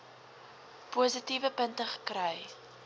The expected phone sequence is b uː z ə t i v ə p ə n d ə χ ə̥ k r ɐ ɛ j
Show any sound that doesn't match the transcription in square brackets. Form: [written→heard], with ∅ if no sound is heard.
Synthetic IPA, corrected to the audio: [b→p] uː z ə t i v ə p ə n [d→t] ə χ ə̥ k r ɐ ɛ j